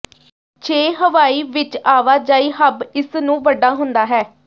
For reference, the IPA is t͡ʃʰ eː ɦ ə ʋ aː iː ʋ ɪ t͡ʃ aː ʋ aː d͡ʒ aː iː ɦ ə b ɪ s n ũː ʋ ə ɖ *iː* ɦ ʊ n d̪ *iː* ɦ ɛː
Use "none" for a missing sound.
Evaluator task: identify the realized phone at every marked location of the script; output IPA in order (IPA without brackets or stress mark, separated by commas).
aː, aː